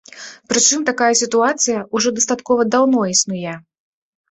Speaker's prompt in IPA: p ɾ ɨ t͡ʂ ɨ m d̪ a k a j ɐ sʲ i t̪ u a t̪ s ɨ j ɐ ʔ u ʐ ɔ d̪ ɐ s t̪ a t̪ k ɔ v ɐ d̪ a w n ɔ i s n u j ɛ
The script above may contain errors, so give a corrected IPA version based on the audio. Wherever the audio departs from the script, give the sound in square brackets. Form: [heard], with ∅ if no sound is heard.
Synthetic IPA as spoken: p ɾ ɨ t͡ʂ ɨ m [t̪] a k a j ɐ sʲ i t̪ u a t̪ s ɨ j ɐ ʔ u ʐ ɔ d̪ ɐ s t̪ a t̪ k ɔ v ɐ d̪ a w n ɔ i s n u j ɛ